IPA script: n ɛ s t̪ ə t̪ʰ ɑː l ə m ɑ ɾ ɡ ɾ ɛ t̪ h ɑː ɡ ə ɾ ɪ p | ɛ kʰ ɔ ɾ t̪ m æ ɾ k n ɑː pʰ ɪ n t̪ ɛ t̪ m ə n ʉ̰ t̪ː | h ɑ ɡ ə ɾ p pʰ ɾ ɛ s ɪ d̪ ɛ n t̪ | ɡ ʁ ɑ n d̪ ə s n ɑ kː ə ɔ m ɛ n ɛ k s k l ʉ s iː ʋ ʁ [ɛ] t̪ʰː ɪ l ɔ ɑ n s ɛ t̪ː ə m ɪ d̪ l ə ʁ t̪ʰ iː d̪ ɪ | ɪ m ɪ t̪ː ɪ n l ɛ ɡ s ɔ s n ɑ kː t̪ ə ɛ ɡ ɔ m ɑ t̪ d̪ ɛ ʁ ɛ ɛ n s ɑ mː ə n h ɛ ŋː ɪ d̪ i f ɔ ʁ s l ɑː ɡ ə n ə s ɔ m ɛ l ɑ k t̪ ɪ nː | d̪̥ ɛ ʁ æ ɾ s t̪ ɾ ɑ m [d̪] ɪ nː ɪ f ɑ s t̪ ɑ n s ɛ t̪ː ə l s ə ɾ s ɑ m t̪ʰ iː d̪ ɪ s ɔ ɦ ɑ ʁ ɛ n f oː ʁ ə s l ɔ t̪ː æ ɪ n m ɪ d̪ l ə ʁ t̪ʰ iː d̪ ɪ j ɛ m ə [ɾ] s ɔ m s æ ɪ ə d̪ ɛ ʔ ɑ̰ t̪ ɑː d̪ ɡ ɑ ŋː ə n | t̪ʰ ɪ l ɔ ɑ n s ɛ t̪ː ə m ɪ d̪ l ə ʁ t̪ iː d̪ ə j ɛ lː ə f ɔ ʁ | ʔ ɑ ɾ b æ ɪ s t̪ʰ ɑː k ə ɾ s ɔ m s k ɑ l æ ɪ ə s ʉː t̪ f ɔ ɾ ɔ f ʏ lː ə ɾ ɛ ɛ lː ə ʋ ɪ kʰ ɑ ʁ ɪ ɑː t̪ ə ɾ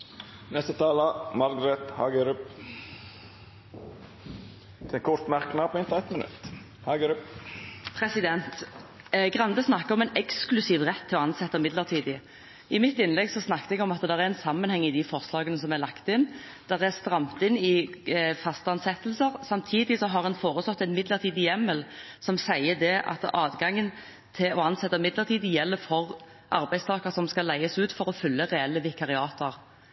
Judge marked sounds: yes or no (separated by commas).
yes, no, no